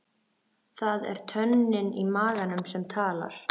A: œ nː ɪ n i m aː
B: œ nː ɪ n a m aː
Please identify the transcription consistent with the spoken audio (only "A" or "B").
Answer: A